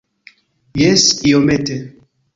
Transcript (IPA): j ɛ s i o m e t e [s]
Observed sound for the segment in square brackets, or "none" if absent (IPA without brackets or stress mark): none